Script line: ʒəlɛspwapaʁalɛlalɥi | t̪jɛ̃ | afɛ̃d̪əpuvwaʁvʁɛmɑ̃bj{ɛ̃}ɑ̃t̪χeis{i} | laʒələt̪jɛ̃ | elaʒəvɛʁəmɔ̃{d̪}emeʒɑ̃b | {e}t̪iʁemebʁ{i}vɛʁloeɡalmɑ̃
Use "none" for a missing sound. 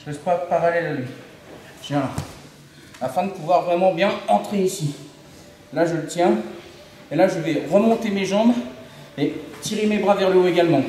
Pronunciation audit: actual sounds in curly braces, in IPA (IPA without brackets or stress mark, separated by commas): ɛ̃, i, t̪, e, a